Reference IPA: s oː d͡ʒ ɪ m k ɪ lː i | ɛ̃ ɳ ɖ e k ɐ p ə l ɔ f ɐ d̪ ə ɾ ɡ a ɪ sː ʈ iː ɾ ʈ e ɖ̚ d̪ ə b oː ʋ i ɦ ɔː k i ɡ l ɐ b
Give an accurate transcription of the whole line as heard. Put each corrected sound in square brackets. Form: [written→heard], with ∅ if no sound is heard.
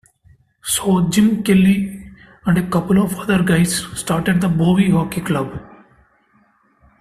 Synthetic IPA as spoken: s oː d͡ʒ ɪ m k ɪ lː i | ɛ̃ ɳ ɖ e k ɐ p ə l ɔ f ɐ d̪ ə ɾ ɡ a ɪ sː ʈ [iː→aː] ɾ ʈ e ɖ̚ d̪ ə b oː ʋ i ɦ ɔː k i [ɡ→k] l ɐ b

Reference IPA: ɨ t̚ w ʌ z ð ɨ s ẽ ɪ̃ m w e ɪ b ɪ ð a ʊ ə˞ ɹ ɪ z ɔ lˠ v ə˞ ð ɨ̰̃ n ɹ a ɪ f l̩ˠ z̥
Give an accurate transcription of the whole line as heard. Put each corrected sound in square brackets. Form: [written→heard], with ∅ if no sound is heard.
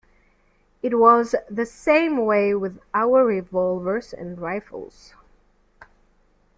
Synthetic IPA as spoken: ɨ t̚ w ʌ z ð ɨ s ẽ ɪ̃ m w e ɪ [b→w] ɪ ð a ʊ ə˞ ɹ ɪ [z→v] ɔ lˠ v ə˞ [ð→z] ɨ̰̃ n ɹ a ɪ f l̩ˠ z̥

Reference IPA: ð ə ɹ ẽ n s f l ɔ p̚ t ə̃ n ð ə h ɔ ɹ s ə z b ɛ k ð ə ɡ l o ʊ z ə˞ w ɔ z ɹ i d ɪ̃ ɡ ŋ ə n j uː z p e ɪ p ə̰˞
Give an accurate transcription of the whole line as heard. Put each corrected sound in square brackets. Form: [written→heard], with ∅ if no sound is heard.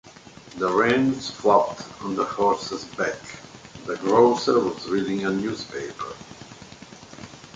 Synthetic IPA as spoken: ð ə ɹ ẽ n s f l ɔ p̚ t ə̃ n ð ə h ɔ ɹ s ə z b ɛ k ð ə ɡ [l→ɹ] o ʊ [z→s] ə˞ w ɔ z ɹ i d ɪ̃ [ɡ→∅] ŋ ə n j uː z p e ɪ p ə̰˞

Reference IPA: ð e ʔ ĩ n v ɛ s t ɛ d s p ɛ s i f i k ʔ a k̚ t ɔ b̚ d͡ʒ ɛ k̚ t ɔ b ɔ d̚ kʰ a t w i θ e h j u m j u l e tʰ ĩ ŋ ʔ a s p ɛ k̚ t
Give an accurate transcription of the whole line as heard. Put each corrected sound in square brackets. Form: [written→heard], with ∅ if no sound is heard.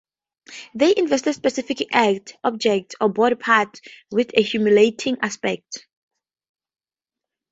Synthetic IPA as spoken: ð e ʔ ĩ n v ɛ s t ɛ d s p ɛ s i f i k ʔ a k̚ t ɔ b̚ d͡ʒ ɛ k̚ t ɔ b ɔ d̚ [kʰ→pʰ] a t w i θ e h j u m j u l e tʰ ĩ ŋ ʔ a s p ɛ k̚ t

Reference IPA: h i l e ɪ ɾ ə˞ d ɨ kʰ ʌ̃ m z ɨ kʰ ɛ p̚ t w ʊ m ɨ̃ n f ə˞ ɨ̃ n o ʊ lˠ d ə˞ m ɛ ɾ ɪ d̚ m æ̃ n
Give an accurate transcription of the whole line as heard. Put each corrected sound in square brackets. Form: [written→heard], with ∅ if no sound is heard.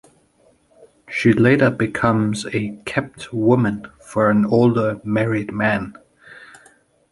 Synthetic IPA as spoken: [h→ʃ] i l e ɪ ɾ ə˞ [d→b] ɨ kʰ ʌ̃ m z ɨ kʰ ɛ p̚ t w ʊ m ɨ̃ n f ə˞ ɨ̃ n o ʊ lˠ d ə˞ m ɛ [ɾ→ɹ] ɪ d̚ m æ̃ n

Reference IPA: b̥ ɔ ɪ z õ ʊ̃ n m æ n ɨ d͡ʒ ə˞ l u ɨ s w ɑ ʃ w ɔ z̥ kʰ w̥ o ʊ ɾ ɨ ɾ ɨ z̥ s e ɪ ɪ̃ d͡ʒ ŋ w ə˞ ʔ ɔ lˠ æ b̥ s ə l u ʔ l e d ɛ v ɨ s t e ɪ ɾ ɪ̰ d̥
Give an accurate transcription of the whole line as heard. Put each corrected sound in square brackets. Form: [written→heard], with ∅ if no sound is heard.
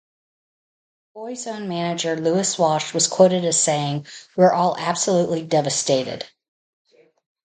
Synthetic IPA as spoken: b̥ ɔ ɪ z õ ʊ̃ n m æ n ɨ d͡ʒ ə˞ l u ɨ s w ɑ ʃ w [ɔ→ʌ] z̥ kʰ w̥ o ʊ ɾ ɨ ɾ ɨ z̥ s e ɪ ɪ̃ [d͡ʒ→∅] ŋ w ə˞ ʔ ɔ lˠ æ b̥ s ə l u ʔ l [e→i] d ɛ v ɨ s t e ɪ ɾ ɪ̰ d̥

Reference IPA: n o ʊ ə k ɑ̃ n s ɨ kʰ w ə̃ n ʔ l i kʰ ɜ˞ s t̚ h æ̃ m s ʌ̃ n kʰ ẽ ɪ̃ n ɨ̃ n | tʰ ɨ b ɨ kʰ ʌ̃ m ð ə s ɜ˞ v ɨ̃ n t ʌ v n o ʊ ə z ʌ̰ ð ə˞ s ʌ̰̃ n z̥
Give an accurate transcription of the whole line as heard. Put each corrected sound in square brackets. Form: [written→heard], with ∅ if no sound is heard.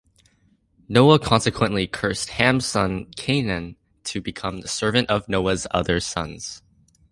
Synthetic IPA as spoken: n o ʊ ə [k→kʰ] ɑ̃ n s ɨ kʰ w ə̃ n ʔ l i kʰ ɜ˞ s t̚ h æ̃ m s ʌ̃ n kʰ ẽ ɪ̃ n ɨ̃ n | tʰ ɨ b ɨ kʰ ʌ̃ m ð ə s ɜ˞ v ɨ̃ n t ʌ v n o ʊ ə z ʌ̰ ð ə˞ s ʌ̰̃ n z̥

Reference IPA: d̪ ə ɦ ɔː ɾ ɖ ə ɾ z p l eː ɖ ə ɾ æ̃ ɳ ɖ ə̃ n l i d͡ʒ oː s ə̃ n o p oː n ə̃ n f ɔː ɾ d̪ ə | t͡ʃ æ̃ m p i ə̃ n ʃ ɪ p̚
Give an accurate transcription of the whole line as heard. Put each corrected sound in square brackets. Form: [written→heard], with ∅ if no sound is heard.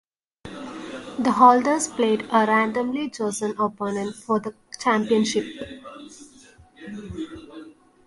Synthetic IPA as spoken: d̪ ə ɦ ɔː [ɾ→l] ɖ ə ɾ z p l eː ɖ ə ɾ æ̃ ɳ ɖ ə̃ [n→m] l i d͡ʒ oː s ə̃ n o p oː n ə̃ n f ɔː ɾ d̪ ə | t͡ʃ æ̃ m p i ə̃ n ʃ ɪ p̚

